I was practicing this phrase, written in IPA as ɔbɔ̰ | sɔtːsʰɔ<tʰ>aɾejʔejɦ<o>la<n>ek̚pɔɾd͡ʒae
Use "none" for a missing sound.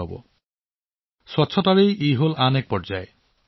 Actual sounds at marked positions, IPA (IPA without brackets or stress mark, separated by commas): t, o, n